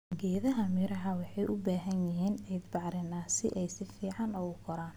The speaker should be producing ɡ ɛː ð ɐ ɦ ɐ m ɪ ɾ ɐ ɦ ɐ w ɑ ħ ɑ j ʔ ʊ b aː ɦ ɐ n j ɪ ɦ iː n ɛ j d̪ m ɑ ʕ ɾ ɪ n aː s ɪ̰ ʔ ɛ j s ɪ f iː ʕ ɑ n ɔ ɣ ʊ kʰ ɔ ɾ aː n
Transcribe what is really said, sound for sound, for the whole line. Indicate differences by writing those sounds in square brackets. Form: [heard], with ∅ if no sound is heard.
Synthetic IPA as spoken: ɡ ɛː ð ɐ ɦ ɐ m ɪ ɾ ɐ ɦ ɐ w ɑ ħ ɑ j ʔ ʊ b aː ɦ ɐ n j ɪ ɦ iː n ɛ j d̪ [b] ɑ ʕ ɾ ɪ n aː s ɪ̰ ʔ ɛ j s ɪ f iː ʕ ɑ n ɔ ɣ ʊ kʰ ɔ ɾ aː n